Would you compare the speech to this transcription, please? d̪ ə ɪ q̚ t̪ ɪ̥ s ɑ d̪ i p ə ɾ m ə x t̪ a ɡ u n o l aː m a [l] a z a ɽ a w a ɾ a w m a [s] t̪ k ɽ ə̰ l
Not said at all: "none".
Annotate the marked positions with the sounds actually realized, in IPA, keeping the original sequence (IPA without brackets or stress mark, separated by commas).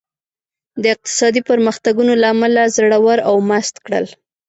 l, s